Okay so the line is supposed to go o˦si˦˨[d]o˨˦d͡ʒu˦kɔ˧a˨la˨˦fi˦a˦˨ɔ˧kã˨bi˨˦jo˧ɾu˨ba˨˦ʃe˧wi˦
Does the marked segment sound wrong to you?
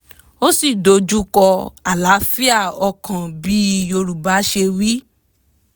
no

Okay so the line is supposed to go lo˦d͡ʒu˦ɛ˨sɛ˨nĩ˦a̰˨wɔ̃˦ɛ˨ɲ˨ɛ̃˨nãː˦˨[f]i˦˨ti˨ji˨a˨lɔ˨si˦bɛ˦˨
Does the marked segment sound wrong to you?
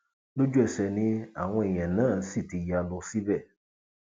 yes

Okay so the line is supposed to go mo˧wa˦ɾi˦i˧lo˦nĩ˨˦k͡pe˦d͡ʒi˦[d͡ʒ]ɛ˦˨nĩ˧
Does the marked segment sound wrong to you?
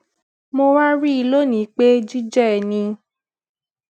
no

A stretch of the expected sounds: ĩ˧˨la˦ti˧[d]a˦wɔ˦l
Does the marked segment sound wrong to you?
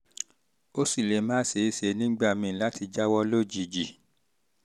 yes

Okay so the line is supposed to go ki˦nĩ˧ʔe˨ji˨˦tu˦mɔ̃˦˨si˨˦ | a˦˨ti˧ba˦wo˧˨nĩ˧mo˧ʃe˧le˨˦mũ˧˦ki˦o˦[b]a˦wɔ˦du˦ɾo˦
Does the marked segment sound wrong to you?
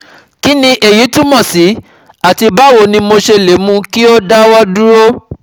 yes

